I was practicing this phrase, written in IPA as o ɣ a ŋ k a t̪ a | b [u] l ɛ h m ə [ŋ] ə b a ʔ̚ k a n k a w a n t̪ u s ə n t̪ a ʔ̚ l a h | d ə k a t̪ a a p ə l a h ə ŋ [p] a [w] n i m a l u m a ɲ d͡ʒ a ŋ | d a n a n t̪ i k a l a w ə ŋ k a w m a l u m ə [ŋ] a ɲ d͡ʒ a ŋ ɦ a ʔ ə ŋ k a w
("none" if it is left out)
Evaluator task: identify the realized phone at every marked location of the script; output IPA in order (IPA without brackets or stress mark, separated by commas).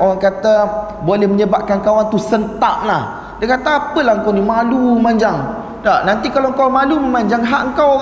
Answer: o, ɲ, k, w, m